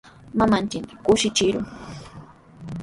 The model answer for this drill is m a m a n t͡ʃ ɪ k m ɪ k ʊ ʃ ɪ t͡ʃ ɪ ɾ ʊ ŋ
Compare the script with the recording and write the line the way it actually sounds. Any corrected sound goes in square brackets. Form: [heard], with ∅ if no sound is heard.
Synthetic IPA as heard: m a m a n t͡ʃ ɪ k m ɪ k ʊ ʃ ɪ t͡ʃ ɪ ɾ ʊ ŋ